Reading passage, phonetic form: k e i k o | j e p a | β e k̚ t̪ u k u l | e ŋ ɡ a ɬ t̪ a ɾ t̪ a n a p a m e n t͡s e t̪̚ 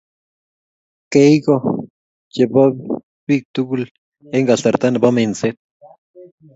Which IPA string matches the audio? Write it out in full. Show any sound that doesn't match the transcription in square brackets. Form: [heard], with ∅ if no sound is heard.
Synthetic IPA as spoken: k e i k o | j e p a | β [i] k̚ t̪ u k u l | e ŋ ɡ a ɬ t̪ a ɾ t̪ a n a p a m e n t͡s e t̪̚